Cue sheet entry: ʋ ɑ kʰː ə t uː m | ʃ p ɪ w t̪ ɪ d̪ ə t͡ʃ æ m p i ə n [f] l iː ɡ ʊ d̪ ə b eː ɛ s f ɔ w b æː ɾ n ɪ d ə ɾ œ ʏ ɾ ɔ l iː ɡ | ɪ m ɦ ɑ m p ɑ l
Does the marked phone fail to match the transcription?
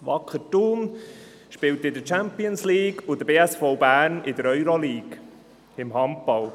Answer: yes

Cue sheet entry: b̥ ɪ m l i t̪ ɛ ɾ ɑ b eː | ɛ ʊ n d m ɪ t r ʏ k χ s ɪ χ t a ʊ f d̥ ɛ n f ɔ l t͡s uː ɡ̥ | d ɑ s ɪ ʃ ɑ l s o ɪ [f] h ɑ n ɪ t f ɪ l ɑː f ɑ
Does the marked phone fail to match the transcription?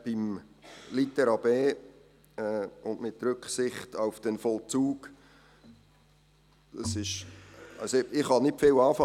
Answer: yes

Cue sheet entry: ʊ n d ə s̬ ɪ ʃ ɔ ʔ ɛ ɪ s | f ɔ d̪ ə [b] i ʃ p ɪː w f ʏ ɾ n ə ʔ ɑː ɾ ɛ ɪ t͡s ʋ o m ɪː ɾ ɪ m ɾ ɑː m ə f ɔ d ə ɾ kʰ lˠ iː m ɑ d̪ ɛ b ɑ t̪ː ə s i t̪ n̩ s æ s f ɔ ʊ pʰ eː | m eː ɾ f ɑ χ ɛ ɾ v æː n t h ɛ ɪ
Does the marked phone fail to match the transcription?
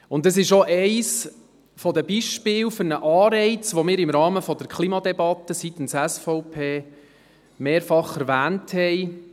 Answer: no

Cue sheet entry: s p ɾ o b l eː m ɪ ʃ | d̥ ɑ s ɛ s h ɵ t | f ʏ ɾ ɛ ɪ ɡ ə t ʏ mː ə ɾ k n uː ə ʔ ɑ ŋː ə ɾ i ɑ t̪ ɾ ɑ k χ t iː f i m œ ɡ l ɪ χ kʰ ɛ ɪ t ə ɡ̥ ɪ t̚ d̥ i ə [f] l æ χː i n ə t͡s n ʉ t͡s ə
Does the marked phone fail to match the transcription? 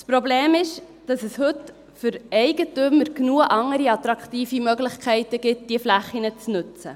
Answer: no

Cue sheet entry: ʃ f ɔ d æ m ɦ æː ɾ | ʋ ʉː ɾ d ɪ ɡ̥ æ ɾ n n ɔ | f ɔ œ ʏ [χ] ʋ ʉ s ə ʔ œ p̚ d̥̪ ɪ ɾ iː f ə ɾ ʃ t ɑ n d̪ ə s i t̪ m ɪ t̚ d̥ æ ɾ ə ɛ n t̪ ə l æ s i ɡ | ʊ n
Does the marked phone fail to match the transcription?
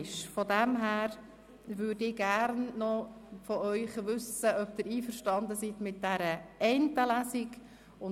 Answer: no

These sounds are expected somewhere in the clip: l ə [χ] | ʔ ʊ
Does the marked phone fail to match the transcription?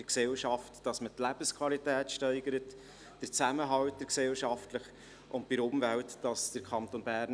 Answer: no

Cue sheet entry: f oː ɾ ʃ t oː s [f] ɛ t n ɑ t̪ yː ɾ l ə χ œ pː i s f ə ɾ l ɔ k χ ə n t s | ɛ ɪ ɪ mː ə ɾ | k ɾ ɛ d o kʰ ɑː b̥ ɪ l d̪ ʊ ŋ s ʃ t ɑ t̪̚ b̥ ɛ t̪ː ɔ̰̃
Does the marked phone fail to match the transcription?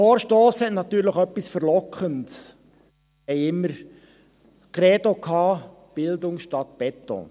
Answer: yes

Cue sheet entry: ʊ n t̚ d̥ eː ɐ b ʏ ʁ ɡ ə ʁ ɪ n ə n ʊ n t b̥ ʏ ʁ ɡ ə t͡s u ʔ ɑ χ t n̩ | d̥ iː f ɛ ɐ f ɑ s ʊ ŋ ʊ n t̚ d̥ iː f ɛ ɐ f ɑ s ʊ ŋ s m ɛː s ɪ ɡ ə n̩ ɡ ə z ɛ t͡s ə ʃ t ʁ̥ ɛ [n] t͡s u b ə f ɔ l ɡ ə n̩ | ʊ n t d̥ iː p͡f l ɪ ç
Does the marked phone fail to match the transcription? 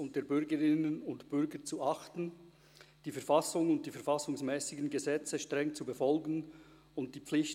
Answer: yes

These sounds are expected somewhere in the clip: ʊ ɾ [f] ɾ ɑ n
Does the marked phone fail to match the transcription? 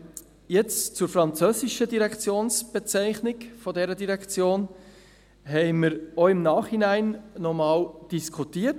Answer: no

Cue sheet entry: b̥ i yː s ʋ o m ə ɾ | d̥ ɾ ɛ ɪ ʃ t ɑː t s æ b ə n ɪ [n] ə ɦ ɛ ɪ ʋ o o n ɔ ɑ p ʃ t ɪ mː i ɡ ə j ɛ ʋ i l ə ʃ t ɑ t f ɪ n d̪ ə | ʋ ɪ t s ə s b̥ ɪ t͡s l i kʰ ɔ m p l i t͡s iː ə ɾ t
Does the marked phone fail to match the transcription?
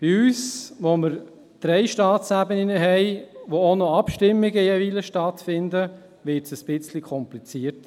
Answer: no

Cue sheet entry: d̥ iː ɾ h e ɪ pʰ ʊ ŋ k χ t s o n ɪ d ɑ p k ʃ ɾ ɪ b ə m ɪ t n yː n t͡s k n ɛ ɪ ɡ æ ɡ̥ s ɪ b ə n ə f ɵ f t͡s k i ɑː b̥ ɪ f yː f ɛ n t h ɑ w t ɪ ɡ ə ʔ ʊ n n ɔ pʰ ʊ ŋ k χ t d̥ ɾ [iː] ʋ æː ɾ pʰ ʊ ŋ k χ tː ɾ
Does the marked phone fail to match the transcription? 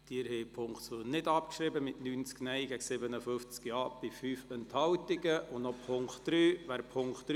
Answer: yes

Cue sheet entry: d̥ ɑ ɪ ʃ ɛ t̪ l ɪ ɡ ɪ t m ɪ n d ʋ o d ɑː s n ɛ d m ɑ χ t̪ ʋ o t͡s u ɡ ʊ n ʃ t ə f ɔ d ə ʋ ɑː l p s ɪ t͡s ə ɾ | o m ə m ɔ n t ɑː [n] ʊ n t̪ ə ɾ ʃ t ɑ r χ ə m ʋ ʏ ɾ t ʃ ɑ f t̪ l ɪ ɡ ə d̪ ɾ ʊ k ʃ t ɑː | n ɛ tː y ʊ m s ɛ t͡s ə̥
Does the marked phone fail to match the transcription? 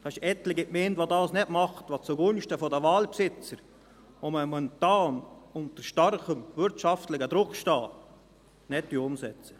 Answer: no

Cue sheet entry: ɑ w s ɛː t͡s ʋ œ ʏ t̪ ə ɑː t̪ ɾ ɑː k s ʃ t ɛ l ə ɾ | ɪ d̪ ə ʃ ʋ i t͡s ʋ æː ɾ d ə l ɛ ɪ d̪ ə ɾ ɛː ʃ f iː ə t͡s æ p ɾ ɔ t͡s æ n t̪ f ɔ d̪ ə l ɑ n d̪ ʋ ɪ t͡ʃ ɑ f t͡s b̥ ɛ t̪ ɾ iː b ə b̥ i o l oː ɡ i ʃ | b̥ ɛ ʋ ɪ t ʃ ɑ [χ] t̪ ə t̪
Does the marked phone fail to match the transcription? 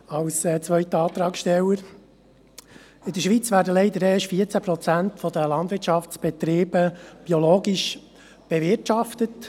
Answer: yes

